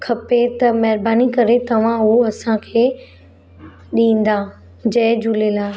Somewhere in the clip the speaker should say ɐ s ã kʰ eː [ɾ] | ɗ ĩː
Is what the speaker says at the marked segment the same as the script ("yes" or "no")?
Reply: no